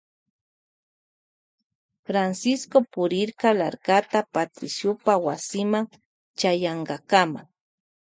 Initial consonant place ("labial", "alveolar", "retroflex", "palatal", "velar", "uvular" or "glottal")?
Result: labial